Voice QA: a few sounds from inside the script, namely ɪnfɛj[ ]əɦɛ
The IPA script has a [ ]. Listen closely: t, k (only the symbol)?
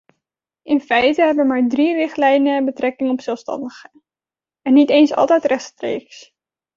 t